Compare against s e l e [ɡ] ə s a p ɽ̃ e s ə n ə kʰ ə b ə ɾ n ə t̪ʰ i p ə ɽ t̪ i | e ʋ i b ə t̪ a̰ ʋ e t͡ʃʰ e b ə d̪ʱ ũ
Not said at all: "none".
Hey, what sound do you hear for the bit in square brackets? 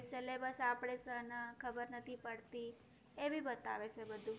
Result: b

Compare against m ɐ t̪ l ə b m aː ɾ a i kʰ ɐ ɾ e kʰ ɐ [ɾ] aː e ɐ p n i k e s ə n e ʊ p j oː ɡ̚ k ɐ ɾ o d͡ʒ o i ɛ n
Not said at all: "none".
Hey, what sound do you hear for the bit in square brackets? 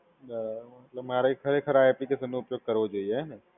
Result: ɾ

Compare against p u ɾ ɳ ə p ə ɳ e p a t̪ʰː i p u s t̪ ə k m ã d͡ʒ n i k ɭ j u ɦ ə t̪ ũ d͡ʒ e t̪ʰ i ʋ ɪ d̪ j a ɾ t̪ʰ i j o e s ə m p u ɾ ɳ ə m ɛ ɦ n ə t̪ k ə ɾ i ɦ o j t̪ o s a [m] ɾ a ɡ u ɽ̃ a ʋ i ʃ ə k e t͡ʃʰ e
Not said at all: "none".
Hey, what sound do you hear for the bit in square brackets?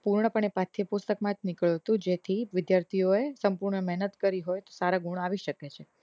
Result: none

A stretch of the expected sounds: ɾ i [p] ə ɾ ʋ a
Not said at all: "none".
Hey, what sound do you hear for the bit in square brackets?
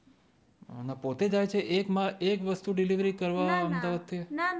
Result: k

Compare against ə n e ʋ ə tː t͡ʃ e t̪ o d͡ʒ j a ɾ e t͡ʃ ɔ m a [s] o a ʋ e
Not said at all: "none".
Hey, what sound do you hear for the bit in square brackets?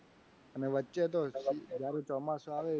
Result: s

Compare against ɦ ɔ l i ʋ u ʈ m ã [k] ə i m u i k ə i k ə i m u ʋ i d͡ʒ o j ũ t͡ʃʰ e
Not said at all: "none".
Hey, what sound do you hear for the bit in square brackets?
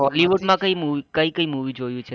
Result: k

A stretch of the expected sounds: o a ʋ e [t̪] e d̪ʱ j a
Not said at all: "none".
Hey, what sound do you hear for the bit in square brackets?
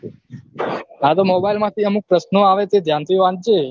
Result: t̪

